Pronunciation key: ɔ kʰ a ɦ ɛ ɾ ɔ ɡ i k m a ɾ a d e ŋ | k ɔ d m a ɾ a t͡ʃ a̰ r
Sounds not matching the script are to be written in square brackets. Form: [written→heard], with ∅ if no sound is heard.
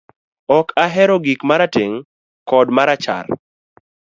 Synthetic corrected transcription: ɔ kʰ a ɦ ɛ ɾ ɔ ɡ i k m a ɾ a [d→t] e ŋ | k ɔ d m a ɾ a t͡ʃ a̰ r